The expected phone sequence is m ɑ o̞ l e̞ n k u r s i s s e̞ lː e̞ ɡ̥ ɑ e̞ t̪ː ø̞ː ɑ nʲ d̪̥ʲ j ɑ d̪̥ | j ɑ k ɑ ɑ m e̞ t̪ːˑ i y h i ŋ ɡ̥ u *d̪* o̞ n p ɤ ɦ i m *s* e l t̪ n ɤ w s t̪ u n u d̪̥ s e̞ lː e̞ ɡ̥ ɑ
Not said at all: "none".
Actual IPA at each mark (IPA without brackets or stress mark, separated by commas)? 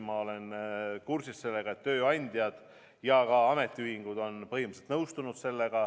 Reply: d̪, s